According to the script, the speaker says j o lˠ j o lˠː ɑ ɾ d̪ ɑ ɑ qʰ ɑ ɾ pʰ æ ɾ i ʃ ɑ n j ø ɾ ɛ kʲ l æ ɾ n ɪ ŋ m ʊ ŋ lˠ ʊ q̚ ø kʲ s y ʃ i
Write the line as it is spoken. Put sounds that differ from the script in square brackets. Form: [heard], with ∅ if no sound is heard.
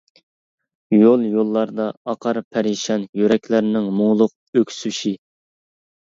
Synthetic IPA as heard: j o lˠ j o lˠː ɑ ɾ d̪ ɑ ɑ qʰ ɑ ɾ pʰ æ ɾ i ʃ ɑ n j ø ɾ ɛ kʲ l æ ɾ n ɪ ŋ m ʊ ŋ lˠ ʊ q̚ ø kʲ s y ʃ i

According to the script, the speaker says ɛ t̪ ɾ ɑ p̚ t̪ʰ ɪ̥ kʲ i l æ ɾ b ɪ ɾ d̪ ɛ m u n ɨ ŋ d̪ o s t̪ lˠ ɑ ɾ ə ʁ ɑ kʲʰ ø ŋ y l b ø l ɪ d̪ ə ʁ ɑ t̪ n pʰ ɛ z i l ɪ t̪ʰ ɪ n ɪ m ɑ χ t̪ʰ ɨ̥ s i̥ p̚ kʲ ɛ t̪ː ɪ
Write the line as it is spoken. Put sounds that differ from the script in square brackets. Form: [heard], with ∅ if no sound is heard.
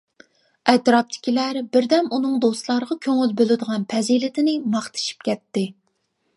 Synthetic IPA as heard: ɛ t̪ ɾ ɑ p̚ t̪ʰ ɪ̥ kʲ i l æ ɾ b ɪ ɾ d̪ ɛ m u n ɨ ŋ d̪ o s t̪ lˠ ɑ ɾ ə ʁ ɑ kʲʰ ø ŋ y l b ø l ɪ d̪ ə ʁ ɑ [∅] n pʰ ɛ z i l ɪ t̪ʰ ɪ n ɪ m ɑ χ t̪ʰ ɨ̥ [ʃ] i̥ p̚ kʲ ɛ t̪ː ɪ

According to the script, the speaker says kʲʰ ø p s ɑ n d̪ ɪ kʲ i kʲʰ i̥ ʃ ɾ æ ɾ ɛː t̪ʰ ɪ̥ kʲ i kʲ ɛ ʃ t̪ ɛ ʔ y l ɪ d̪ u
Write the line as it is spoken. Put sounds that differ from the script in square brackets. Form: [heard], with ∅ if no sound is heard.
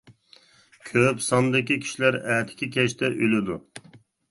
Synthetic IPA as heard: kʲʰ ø p s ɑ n d̪ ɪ kʲ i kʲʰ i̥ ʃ [l] æ ɾ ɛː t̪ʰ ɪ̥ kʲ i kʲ ɛ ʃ t̪ ɛ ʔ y l ɪ d̪ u

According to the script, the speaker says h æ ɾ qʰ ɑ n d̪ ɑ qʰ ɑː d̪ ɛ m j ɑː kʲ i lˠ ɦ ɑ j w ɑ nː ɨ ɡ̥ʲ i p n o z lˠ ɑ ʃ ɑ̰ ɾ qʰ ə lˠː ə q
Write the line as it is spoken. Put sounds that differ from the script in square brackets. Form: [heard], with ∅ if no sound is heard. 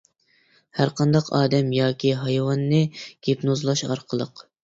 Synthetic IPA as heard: h æ ɾ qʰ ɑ n d̪ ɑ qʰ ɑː d̪ ɛ m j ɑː kʲ i [∅] ɦ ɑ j w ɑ nː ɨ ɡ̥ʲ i p n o z lˠ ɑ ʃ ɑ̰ ɾ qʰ ə [lˠ] ə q

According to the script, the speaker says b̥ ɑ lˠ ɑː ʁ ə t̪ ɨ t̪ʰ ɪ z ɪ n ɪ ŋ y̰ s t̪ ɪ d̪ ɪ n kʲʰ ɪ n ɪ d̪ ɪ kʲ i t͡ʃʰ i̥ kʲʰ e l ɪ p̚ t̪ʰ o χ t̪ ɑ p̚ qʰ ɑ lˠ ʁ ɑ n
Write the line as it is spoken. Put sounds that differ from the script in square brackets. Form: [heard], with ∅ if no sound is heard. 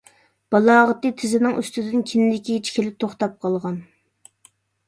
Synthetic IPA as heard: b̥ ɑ lˠ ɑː ʁ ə t̪ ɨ t̪ʰ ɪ z ɪ n ɪ ŋ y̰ s t̪ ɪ d̪ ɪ n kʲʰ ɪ n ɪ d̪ ɪ kʲ i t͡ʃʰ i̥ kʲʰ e l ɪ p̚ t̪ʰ o χ t̪ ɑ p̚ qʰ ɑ lˠ ʁ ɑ n

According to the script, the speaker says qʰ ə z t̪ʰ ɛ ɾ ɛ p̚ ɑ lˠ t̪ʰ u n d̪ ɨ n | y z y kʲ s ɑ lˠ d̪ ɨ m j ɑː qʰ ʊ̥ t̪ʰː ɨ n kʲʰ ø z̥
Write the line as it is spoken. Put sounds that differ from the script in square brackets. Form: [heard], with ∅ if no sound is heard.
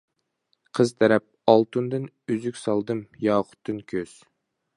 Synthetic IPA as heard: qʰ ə z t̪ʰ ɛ ɾ ɛ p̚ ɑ lˠ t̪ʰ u n d̪ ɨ n | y z y kʲ s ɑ lˠ d̪ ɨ m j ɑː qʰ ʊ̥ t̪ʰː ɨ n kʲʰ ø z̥

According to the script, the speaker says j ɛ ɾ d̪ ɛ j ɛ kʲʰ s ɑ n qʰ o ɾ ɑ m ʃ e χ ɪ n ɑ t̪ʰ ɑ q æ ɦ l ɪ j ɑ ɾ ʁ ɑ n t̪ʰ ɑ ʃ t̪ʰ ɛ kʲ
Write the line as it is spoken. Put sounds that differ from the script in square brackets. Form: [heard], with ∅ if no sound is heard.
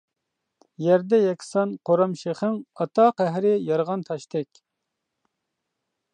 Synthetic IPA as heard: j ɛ ɾ d̪ ɛ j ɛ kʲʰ s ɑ n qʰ o ɾ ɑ m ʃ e χ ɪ [ŋ] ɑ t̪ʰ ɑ q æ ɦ [ɾ] ɪ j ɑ ɾ ʁ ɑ n t̪ʰ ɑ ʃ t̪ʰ ɛ kʲ

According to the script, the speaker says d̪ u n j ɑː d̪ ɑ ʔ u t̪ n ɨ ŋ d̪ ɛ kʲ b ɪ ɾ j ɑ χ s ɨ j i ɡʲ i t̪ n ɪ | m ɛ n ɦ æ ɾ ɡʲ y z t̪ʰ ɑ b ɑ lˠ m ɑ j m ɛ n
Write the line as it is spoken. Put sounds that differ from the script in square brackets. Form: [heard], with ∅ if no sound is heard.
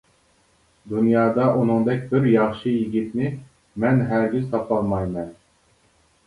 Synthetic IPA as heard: d̪ u n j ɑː d̪ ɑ ʔ u [∅] n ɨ ŋ d̪ ɛ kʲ b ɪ ɾ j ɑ χ [ʃ] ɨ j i ɡʲ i t̪ n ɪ | m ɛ n ɦ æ ɾ ɡʲ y z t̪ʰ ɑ [p] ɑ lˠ m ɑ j m ɛ n

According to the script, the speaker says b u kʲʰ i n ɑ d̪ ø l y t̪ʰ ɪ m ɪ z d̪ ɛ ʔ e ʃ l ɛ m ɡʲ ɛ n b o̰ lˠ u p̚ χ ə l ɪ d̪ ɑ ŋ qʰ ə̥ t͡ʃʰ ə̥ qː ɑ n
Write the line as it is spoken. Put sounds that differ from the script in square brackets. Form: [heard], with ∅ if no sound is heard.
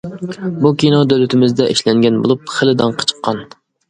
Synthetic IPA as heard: b u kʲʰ i n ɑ d̪ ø l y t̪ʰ ɪ m ɪ z d̪ ɛ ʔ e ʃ l ɛ [ŋ] ɡʲ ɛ n b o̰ lˠ u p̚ χ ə l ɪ d̪ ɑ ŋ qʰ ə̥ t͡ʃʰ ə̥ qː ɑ n

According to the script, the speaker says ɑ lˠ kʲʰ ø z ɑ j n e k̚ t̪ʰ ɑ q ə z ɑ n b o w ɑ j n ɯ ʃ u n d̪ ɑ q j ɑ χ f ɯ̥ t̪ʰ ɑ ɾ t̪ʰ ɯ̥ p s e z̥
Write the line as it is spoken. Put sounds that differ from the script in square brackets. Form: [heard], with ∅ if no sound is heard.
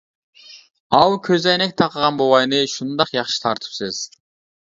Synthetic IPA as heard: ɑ lˠ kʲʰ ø z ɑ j n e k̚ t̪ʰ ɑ q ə [ʁ] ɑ n b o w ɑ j n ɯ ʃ u n d̪ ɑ q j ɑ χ [ʃ] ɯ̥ t̪ʰ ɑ ɾ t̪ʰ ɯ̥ p s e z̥

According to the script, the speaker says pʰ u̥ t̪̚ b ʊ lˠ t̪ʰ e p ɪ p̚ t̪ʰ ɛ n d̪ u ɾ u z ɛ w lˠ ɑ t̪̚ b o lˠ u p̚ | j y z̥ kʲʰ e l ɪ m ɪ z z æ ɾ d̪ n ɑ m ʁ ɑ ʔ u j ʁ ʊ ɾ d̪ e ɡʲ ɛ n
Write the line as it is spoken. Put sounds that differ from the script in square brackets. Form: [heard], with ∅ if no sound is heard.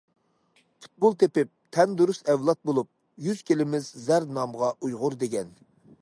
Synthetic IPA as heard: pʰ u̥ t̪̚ b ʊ lˠ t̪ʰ e p ɪ p̚ t̪ʰ ɛ n d̪ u ɾ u [s] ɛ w lˠ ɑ t̪̚ b o lˠ u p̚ | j y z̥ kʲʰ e l ɪ m ɪ z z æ ɾ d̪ n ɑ m ʁ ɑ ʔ u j ʁ ʊ ɾ d̪ e ɡʲ ɛ n

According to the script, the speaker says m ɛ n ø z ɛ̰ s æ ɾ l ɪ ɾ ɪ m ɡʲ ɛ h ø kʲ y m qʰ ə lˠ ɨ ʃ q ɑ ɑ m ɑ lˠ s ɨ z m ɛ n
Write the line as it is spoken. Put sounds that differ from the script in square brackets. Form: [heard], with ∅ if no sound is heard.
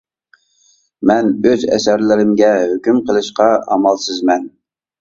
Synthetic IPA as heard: m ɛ n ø z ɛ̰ s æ ɾ l ɪ ɾ ɪ m ɡʲ ɛ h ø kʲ y m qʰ ə lˠ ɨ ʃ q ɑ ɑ m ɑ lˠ s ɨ z m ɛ n

